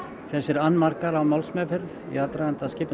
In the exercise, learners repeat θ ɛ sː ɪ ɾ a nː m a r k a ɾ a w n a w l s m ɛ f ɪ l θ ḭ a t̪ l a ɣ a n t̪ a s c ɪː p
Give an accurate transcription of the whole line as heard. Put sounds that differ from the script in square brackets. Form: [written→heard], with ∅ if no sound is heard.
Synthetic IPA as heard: θ ɛ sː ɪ ɾ a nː m a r k a ɾ a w [n→m] a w l s m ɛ f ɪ [l→ɾ] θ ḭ a t̪ [l→ɾ] a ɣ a n t̪ a s c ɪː p